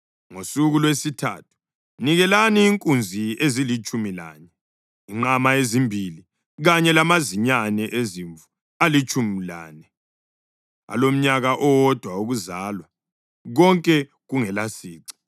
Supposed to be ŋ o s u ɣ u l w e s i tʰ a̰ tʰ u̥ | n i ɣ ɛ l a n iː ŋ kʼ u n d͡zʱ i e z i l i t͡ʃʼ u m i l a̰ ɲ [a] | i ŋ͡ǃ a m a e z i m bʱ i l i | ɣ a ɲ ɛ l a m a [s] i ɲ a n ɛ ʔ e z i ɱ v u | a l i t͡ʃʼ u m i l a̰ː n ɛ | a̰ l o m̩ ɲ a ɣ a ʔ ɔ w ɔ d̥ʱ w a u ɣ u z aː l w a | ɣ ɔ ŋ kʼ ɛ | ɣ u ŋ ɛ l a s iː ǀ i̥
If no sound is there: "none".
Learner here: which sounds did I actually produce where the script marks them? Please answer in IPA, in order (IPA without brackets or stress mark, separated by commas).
ɛ, z